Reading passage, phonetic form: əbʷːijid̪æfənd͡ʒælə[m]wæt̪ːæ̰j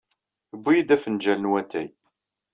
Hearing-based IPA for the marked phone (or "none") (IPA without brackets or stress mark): n